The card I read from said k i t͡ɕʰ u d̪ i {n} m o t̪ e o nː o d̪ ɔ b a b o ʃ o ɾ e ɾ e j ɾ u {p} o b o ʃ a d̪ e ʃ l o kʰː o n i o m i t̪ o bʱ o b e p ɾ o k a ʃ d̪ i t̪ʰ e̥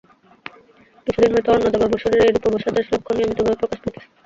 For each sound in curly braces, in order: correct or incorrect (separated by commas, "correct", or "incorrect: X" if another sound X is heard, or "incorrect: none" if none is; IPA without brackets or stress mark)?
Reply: correct, correct